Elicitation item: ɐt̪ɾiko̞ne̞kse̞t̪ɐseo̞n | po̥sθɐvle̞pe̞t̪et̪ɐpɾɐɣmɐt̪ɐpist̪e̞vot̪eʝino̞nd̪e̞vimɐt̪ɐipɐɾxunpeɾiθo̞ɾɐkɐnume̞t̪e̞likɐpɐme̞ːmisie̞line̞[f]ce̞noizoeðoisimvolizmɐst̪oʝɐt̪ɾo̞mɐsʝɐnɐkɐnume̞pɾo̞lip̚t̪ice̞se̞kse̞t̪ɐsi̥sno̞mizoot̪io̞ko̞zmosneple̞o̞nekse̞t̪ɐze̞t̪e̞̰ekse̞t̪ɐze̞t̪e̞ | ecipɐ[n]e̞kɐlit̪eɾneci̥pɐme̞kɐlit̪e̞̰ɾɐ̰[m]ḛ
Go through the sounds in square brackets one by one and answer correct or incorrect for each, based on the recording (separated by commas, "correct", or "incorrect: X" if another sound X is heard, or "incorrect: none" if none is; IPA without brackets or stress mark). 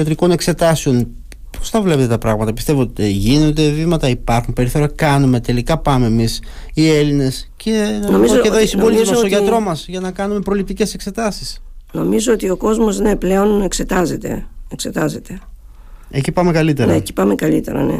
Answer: incorrect: s, incorrect: m, incorrect: n